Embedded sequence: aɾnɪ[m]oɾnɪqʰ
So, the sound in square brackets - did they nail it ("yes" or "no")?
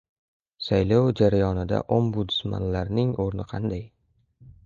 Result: no